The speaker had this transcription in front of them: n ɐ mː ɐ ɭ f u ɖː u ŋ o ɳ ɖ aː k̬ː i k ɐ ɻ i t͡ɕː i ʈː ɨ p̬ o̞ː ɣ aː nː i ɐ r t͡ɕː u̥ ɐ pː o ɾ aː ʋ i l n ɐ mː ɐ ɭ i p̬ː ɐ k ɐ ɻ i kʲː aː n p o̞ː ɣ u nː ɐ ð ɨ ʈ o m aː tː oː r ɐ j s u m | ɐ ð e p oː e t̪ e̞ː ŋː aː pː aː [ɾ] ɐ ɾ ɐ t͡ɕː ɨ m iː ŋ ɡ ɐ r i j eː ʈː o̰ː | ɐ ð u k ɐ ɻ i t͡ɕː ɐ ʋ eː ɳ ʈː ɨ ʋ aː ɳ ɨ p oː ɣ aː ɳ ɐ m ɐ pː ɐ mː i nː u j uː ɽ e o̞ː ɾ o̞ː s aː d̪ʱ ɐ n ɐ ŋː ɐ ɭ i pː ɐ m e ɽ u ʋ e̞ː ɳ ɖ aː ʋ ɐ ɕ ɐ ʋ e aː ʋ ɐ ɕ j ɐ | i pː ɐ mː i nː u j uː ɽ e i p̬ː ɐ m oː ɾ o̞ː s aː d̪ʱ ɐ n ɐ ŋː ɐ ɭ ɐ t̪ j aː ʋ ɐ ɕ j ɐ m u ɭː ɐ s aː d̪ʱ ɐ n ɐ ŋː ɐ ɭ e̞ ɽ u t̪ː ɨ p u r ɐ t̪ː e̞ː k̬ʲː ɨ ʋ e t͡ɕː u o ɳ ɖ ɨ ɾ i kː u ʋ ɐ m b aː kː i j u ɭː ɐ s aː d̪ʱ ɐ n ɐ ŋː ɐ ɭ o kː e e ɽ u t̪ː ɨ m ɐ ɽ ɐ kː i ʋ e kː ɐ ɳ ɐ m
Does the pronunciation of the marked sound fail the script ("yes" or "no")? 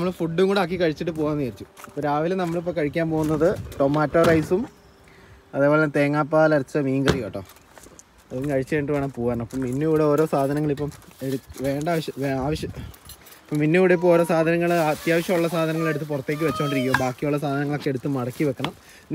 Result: yes